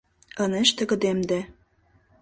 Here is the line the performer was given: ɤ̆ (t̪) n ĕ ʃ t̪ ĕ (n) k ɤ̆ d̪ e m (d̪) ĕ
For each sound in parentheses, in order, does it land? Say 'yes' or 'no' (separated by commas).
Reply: no, no, yes